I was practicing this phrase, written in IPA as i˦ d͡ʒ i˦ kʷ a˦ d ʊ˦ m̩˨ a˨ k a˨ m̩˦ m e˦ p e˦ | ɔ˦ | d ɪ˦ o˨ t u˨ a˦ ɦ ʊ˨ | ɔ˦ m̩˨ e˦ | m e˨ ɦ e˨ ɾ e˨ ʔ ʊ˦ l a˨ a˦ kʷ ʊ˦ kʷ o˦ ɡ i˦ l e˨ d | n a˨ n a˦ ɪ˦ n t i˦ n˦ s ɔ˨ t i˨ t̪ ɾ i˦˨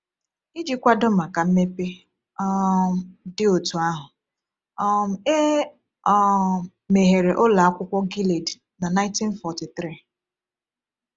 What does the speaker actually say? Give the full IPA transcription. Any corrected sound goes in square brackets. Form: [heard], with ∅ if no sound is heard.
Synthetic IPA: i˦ d͡ʒ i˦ kʷ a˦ d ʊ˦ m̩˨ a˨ k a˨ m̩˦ m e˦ p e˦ | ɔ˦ | d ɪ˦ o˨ t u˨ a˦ ɦ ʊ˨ | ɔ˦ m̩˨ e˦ | m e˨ ɦ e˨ ɾ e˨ ʔ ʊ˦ l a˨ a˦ kʷ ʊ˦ kʷ [ɔ˦] ɡ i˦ l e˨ d | n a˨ n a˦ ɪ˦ n t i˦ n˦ [f] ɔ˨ t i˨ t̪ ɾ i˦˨